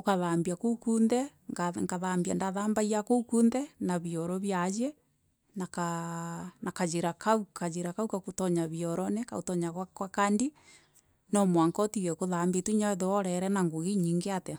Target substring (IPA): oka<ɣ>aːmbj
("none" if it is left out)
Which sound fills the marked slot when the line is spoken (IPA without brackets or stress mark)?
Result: ð